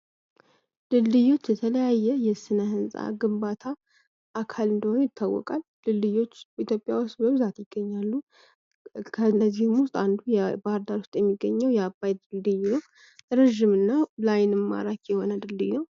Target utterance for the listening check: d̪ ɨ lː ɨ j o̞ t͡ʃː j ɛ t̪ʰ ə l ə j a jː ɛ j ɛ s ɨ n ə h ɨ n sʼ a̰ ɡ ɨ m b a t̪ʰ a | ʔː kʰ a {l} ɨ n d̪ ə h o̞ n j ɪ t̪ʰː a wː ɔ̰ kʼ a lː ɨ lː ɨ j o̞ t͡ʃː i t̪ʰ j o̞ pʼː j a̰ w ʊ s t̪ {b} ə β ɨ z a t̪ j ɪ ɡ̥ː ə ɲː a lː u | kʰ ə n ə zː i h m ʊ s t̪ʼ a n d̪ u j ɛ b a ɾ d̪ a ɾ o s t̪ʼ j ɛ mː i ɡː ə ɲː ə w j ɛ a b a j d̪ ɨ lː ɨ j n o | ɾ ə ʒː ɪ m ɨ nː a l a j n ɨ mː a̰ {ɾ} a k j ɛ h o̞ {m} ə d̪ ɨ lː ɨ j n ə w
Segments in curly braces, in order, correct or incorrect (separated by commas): correct, correct, correct, incorrect